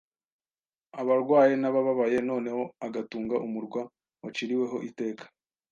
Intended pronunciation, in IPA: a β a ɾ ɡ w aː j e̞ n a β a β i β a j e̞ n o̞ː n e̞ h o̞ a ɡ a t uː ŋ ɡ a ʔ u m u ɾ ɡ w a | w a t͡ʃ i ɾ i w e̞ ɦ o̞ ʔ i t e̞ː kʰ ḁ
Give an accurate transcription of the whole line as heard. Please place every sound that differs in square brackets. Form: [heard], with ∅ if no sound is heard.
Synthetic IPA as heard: a β a ɾ ɡ w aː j e̞ n a β a β [a] β a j e̞ n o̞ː n e̞ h o̞ a ɡ a t uː ŋ ɡ a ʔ u m u ɾ ɡ w a | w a t͡ʃ i ɾ i w e̞ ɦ o̞ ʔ i t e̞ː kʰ ḁ